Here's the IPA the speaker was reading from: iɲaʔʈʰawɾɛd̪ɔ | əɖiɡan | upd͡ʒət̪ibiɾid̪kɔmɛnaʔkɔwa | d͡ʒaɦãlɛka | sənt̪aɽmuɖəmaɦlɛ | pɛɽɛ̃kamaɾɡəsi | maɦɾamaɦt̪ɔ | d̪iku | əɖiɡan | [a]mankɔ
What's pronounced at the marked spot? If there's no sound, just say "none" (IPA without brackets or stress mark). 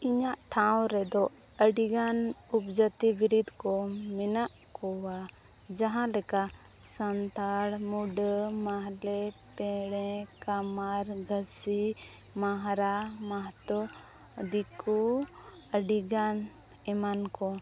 ɛ